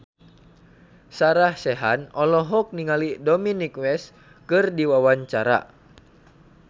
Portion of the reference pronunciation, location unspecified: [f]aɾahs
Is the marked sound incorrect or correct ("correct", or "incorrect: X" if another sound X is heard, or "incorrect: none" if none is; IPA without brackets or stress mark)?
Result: incorrect: s